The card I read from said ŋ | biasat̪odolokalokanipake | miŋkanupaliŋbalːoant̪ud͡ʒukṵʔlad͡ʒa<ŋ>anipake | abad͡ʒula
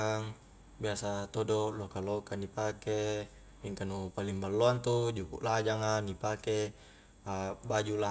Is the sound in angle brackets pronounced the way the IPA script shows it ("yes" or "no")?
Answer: yes